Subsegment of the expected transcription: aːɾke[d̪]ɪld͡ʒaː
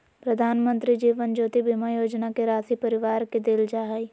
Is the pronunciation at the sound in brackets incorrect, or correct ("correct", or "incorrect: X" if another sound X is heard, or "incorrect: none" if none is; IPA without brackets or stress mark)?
correct